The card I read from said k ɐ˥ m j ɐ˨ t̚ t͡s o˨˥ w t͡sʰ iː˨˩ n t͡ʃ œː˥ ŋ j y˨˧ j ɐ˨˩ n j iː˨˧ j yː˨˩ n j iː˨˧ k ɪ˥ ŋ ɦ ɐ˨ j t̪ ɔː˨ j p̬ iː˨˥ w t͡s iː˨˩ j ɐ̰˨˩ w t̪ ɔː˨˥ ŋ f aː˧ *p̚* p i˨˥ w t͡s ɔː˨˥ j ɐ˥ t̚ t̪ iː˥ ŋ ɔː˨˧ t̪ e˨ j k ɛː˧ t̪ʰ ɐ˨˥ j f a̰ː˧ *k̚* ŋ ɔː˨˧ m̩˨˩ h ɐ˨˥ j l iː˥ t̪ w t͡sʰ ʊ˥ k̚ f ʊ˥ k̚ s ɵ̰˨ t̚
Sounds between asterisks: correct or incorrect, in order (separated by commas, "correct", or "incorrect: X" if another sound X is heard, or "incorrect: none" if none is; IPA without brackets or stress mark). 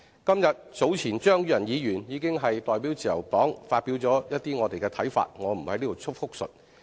incorrect: t̚, incorrect: t̚